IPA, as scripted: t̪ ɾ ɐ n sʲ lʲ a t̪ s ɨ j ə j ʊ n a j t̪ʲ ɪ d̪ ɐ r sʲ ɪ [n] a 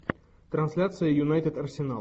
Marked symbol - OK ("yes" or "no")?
yes